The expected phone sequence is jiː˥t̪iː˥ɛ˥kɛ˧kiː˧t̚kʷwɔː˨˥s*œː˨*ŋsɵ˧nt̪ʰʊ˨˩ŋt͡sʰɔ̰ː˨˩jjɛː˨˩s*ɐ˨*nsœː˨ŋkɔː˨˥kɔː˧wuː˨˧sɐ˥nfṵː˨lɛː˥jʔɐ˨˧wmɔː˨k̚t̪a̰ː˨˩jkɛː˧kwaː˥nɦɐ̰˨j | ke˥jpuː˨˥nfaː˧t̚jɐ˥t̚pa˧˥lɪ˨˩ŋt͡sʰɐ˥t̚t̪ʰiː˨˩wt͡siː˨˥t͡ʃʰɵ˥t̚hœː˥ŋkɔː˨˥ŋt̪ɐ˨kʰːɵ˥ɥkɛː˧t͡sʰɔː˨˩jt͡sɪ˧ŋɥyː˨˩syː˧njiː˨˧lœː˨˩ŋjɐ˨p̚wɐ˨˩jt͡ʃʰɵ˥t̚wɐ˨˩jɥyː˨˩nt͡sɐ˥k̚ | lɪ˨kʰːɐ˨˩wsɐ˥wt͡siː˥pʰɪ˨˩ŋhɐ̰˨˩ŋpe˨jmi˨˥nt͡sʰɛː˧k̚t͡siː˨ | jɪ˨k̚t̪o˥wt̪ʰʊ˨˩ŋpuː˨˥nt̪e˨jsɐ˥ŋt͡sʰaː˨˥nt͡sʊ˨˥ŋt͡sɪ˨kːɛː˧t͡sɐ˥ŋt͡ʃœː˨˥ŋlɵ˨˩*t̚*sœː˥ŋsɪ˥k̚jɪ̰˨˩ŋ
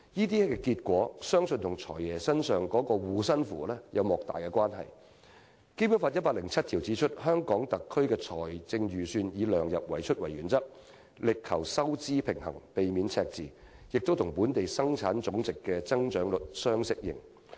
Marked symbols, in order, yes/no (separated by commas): no, no, yes